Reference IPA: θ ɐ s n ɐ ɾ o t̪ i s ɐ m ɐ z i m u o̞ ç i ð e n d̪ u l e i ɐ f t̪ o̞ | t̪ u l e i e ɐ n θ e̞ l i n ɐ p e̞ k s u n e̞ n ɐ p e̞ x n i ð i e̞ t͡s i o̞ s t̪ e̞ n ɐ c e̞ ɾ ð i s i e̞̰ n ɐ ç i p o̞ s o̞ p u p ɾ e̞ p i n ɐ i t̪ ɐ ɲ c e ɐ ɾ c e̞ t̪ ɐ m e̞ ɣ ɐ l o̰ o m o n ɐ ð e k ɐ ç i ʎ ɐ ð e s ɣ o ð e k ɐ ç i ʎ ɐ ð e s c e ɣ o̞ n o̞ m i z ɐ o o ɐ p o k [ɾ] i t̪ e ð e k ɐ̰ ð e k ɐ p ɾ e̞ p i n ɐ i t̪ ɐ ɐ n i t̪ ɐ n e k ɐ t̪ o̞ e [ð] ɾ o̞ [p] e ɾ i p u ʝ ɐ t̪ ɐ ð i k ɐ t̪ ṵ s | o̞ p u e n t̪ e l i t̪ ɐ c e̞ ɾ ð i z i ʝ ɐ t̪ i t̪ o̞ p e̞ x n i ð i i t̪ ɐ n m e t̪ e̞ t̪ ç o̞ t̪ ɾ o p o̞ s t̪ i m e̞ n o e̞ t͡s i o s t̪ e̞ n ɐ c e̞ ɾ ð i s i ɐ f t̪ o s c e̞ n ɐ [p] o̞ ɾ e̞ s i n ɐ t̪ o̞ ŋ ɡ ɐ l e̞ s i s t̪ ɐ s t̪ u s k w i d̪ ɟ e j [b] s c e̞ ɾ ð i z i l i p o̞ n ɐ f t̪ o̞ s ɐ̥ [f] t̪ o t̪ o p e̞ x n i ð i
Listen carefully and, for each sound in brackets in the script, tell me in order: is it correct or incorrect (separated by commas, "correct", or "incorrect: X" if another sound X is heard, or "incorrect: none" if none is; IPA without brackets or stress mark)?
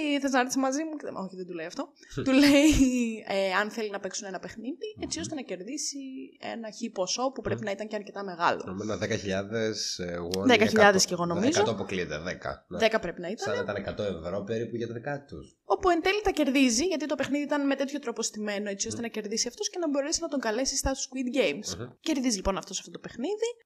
incorrect: l, incorrect: v, correct, incorrect: b, incorrect: m, correct